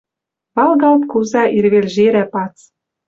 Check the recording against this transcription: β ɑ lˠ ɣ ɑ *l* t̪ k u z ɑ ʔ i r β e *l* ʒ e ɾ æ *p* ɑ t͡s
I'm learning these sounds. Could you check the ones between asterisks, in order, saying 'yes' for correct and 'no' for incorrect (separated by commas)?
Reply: yes, yes, yes